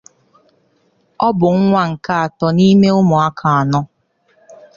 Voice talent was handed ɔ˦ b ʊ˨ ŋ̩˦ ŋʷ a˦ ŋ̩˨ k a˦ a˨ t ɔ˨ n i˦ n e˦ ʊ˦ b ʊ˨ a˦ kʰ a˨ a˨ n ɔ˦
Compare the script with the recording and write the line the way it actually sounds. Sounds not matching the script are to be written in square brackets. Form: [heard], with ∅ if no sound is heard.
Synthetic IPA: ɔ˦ b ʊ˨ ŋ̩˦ ŋʷ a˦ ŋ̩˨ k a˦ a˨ t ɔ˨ n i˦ [m] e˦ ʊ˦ [m] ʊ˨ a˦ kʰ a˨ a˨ n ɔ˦